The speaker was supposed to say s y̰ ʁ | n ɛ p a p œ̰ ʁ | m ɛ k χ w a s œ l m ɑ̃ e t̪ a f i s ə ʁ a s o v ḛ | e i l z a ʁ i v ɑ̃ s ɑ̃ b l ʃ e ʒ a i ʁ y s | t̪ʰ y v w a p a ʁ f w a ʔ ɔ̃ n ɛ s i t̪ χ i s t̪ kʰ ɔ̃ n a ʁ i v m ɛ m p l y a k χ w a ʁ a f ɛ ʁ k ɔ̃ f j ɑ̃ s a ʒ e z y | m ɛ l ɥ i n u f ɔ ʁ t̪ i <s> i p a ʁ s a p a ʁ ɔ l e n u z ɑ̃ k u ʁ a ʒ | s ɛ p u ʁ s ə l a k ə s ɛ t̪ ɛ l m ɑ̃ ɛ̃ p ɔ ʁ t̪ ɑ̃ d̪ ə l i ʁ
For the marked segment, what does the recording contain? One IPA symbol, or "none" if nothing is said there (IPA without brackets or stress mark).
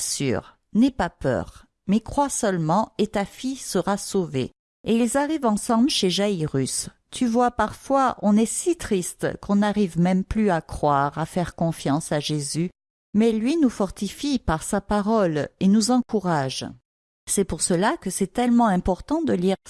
f